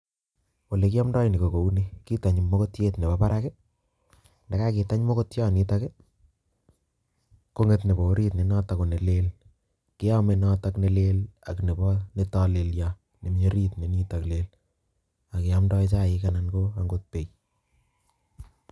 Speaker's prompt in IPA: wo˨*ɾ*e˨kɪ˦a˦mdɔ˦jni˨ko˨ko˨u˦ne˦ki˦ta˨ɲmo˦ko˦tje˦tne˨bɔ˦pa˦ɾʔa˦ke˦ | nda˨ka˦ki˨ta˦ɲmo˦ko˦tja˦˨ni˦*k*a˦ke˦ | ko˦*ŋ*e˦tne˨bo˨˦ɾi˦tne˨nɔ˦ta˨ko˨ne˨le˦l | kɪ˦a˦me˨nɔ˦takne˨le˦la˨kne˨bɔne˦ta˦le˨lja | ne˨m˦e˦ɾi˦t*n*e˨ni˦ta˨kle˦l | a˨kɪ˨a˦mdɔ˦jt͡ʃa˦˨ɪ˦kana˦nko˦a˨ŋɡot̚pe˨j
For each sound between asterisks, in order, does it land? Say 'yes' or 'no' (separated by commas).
no, no, yes, yes